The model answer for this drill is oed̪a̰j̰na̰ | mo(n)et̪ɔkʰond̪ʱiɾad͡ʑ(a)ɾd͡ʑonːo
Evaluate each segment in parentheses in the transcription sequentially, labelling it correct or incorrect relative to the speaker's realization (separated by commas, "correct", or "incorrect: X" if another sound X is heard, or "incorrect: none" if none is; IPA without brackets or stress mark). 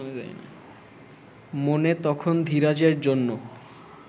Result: correct, incorrect: e